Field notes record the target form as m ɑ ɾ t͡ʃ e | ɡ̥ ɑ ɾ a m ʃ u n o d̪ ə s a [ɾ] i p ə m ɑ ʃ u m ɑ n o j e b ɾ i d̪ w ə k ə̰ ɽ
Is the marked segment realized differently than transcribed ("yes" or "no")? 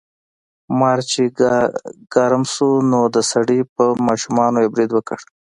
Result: yes